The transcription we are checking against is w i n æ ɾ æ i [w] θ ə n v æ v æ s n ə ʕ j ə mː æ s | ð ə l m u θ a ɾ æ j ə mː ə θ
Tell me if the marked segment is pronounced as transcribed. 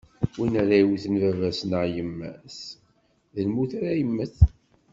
yes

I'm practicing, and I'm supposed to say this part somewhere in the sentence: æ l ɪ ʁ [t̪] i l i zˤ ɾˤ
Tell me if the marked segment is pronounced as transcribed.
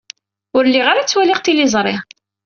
yes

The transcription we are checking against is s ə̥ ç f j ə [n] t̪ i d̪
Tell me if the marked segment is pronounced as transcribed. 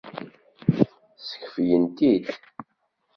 yes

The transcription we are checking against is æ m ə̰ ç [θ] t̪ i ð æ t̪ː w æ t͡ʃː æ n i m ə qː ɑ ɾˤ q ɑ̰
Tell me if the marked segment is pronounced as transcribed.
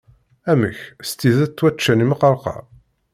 no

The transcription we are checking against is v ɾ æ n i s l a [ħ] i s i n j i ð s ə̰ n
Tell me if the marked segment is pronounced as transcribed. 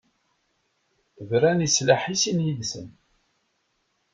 yes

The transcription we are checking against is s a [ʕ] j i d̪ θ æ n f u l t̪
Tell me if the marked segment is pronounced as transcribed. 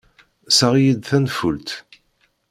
no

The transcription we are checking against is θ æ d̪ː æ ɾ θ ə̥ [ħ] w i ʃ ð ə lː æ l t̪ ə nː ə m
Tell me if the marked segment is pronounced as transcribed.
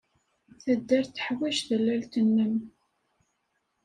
yes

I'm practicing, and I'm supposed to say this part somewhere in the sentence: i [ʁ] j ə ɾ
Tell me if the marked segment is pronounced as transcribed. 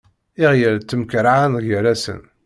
yes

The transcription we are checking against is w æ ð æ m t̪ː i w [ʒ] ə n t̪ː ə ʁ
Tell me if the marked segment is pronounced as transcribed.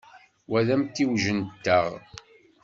yes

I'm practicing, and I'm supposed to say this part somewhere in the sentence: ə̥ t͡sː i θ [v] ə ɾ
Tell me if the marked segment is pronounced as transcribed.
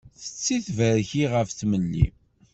yes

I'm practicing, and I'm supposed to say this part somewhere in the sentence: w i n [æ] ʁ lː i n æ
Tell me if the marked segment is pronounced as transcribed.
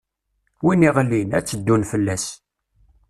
no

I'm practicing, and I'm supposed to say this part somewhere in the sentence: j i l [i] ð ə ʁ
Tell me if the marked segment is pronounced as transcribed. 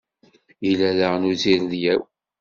no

